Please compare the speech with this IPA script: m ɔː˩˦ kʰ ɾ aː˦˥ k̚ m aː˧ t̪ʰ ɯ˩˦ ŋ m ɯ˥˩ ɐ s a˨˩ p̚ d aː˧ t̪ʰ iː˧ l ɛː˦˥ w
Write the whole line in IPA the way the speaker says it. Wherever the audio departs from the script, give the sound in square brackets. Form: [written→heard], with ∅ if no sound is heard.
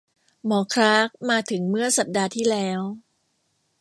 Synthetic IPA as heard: m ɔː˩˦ kʰ ɾ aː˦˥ k̚ m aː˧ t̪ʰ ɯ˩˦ ŋ m ɯ˥˩ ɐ s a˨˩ p̚ d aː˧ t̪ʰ [iː˧→iː˥˩] l ɛː˦˥ w